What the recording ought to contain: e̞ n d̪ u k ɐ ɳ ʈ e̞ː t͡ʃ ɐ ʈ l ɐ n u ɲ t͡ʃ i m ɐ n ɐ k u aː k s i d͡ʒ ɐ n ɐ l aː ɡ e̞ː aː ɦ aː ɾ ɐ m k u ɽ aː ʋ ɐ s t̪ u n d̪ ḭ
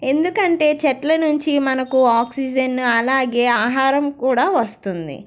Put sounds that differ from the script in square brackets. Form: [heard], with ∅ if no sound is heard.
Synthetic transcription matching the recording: e̞ n d̪ u k ɐ ɳ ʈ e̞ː t͡ʃ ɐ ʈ l ɐ n u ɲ t͡ʃ i m ɐ n ɐ k u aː k s i d͡ʒ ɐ n ɐ l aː ɡ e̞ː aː ɦ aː ɾ ɐ m k [uː] ɽ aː ʋ ɐ s t̪ u n d̪ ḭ